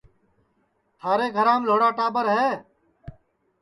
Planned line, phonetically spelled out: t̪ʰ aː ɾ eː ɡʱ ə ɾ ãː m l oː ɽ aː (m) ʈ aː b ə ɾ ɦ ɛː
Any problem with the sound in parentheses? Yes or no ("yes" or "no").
yes